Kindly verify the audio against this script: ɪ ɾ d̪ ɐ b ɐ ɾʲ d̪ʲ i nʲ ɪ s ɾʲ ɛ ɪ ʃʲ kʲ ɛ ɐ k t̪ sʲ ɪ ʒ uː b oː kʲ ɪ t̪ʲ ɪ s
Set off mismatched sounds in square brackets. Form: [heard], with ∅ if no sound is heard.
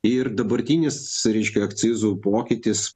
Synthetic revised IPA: ɪ ɾ d̪ ɐ b ɐ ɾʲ [t̪ʲ] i nʲ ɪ s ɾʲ ɛ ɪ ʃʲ kʲ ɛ ɐ k t̪ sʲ ɪ [z] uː [p] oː kʲ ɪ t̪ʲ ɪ s